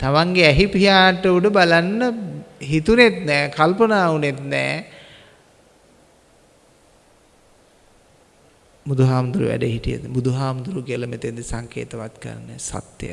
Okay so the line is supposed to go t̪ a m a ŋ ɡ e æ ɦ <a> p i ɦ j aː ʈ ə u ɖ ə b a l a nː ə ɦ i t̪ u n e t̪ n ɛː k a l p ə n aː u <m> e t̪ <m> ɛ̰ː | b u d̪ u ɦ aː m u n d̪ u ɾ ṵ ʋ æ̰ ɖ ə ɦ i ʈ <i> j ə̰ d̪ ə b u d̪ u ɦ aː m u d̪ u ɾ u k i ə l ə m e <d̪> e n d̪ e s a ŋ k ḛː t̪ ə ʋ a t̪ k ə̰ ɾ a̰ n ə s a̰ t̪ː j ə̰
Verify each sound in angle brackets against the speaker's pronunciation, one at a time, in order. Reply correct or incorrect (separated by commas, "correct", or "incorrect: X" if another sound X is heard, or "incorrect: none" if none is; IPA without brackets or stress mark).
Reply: incorrect: i, incorrect: n, incorrect: n, correct, incorrect: t̪